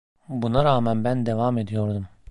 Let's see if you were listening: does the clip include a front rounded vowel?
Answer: no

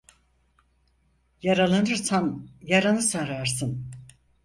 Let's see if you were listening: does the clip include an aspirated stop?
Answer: no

